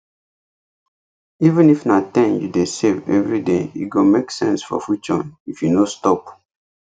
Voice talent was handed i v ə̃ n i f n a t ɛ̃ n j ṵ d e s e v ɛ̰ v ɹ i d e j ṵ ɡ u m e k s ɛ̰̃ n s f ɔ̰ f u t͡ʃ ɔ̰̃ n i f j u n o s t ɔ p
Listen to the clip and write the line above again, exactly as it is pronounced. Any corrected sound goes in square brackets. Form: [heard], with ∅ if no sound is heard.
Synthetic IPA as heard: i v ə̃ n i f n a t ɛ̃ n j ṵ d e s e v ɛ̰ v ɹ i d e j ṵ ɡ [o] m e k s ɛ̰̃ n s f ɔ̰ f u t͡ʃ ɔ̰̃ n i f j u n o s t ɔ p

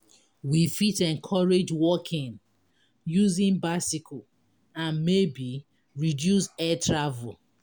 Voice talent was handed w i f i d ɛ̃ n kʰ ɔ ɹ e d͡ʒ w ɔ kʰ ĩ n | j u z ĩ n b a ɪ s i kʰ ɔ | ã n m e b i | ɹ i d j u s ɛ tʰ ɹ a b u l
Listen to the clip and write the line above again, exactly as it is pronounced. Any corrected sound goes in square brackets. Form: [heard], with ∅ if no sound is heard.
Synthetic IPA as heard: w i f i [t] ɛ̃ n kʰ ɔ ɹ e d͡ʒ w ɔ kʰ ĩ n | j u z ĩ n b a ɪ s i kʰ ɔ | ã n m e b i | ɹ i d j u s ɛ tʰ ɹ a [v] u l

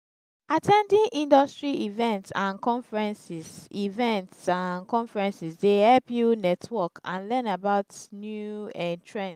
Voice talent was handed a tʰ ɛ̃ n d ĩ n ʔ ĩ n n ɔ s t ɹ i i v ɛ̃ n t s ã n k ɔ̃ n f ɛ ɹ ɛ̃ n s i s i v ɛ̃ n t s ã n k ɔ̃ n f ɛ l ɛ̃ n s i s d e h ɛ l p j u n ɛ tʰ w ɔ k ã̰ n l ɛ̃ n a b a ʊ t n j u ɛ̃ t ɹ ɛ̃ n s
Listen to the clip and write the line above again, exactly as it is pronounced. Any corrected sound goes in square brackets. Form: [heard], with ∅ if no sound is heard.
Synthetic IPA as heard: a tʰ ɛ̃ n d ĩ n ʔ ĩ n [d] ɔ s t ɹ i i v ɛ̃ n t s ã n k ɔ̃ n f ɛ ɹ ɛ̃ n s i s i v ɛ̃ n t s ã n k ɔ̃ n f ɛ [ɹ] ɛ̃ n s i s d e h ɛ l p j u n ɛ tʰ w ɔ k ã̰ n l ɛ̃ n a b a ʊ t n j u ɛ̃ t ɹ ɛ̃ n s

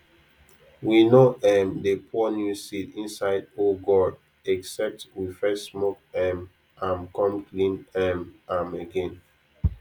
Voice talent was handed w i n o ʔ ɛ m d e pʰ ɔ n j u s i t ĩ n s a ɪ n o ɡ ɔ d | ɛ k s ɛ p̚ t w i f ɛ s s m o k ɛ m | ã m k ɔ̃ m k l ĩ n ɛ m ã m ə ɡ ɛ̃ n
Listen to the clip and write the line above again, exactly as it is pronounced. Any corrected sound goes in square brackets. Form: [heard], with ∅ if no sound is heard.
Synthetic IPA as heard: w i n o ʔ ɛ m d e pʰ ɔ n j u s i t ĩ n s a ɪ [d] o ɡ ɔ d | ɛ k s ɛ p̚ t w i f ɛ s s m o k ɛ m | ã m k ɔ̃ m k l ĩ n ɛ m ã m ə ɡ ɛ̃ n

